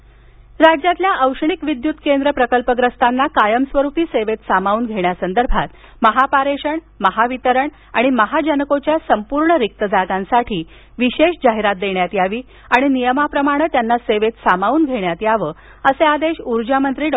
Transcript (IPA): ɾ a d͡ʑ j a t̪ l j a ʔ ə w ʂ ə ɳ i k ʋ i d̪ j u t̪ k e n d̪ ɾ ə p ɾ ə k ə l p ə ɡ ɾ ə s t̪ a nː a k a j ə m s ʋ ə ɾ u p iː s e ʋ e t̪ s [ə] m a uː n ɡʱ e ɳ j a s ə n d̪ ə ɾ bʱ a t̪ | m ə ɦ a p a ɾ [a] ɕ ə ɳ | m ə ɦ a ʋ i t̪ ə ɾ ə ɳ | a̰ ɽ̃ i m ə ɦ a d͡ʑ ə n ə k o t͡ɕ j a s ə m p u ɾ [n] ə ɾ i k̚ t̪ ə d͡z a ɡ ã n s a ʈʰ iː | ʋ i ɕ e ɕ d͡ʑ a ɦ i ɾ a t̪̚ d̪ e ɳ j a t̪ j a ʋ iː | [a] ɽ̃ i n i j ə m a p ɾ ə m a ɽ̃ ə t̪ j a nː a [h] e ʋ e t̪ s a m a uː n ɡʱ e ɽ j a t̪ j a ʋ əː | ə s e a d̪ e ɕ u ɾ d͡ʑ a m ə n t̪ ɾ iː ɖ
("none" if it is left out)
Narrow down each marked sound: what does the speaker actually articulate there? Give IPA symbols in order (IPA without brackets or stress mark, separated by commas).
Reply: a, e, ɳ, a, s